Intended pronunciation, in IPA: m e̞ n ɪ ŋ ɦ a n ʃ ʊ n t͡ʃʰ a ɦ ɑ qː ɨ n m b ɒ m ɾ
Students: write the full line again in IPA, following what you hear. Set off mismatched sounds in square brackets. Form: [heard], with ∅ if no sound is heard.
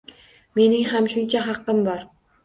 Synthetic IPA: m e̞ n ɪ ŋ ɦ a [m] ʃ ʊ n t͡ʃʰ a ɦ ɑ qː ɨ [∅] m b ɒ [∅] ɾ